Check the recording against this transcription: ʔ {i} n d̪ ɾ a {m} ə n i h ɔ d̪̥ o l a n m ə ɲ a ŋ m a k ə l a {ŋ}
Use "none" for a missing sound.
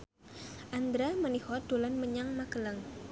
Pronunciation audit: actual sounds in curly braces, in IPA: a, m, ŋ

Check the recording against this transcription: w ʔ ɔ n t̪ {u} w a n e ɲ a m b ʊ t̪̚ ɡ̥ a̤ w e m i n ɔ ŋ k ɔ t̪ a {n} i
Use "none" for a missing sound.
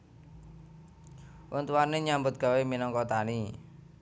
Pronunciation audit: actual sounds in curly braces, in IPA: u, n

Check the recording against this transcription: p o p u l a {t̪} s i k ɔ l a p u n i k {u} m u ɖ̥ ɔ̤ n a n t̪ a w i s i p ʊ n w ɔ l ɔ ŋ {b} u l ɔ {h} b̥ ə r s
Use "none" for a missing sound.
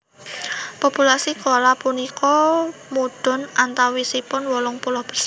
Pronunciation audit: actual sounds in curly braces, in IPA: none, ɔ, p, h

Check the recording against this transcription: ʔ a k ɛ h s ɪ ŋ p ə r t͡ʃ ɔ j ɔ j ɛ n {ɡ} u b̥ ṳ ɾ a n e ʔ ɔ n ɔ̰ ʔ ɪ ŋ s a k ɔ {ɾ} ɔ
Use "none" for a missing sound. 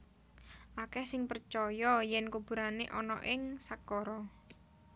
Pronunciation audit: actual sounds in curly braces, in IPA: k, ɾ

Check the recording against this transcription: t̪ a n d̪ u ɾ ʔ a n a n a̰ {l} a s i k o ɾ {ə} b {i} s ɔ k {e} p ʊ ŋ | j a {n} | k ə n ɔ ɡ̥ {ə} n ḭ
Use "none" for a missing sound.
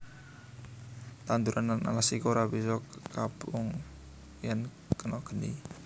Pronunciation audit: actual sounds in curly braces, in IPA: l, a, i, a, n, ə

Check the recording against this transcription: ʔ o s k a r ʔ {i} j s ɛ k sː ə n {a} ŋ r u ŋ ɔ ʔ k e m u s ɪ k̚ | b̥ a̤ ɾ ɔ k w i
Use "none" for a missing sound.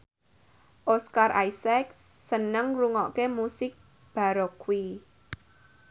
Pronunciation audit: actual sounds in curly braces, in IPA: a, ə

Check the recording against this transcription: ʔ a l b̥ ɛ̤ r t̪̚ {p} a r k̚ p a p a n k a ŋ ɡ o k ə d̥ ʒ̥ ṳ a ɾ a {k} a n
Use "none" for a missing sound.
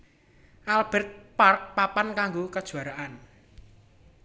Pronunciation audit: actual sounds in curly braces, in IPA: p, ʔ

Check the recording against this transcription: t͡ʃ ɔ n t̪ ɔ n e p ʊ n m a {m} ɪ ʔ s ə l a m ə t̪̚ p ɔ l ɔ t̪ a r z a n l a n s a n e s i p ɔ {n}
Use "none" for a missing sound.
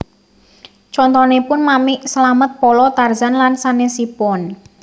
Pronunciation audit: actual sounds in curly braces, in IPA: m, n

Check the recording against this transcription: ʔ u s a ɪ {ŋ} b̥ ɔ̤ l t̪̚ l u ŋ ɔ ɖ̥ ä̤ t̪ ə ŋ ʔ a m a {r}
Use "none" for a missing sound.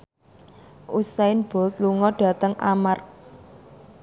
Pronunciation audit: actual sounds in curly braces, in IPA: n, r

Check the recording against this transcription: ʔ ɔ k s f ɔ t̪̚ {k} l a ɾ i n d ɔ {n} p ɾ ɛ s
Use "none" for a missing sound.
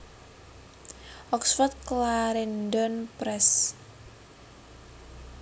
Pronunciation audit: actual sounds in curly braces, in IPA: k, n

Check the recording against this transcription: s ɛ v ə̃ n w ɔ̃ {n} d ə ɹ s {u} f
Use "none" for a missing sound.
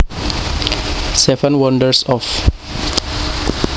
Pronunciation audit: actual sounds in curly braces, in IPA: n, ɔ

